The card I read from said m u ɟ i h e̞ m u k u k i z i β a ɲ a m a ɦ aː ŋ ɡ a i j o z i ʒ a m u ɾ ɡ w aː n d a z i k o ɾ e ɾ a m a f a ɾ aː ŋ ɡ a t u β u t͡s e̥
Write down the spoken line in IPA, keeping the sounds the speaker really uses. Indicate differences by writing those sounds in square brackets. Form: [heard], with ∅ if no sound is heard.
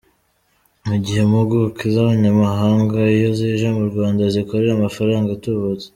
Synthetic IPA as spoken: m u ɟ i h e̞ m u [ɡ] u k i z [a] β a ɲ a m a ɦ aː ŋ ɡ a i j o z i ʒ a m u ɾ ɡ w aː n d a z i k o ɾ e ɾ a m a f a ɾ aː ŋ ɡ a t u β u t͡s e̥